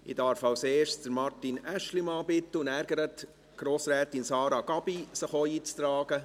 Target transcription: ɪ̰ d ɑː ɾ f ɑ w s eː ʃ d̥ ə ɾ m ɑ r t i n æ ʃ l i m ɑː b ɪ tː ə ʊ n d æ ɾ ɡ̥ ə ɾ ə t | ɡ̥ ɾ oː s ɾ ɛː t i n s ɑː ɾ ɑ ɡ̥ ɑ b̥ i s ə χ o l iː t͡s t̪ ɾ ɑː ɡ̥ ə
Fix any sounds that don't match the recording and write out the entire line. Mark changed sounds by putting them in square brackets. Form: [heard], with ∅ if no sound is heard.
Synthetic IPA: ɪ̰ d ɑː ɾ f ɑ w s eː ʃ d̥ ə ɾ m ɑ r t i n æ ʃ l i m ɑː b ɪ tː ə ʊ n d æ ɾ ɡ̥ ə ɾ ə t | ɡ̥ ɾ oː s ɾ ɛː t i n s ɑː ɾ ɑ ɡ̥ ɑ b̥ i s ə χ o [∅] iː t͡s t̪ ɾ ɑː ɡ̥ ə